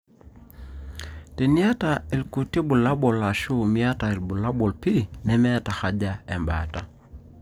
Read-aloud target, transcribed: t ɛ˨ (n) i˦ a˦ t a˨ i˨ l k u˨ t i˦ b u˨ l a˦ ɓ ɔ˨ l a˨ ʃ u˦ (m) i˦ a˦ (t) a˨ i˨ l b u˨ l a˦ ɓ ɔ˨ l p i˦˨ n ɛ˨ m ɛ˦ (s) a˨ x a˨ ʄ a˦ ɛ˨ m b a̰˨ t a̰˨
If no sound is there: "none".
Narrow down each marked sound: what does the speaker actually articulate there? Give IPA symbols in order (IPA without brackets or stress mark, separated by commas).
n, m, t, t